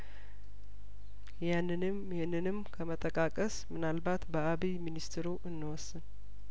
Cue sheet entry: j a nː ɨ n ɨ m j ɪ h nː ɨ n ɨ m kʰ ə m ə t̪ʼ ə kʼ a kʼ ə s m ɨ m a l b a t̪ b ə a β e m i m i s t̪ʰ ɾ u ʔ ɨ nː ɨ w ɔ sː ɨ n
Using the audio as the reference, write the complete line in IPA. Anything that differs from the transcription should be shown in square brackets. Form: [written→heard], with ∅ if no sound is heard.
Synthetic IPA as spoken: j a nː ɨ n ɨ m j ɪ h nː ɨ n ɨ m kʰ ə m ə t̪ʼ ə kʼ a kʼ ə s m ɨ [m→n] a l b a t̪ b ə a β [e→i] m i [m→n] i s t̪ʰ ɾ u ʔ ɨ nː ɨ w ɔ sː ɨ n